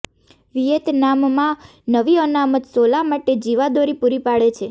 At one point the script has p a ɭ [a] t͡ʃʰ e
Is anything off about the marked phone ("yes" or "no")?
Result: yes